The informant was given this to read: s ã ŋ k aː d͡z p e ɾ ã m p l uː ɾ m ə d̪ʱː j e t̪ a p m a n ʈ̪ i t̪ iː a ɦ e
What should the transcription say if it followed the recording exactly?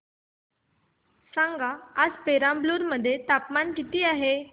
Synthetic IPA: s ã ŋ ɡ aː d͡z p e ɾ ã m b l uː ɾ m ə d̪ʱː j e t̪ a p m a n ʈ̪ i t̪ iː a ɦ e